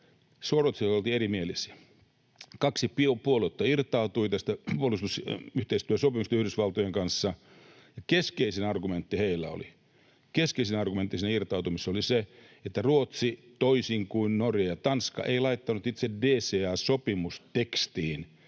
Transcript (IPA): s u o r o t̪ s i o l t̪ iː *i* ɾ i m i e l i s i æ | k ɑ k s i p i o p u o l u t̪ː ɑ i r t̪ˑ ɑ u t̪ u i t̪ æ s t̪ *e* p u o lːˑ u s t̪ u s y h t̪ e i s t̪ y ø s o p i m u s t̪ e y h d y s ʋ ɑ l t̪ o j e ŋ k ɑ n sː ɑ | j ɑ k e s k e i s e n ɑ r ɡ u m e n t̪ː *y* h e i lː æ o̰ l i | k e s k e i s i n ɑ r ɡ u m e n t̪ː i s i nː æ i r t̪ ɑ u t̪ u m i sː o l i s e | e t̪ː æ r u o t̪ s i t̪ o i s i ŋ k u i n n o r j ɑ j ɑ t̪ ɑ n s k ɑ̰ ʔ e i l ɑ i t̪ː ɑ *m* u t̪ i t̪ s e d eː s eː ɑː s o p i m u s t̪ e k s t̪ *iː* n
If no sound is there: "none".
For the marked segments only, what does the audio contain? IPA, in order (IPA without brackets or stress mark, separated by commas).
e, æ, i, n, iː